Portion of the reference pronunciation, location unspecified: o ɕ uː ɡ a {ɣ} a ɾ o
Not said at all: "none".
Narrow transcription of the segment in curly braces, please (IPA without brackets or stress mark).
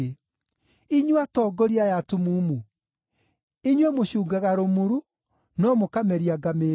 ɣ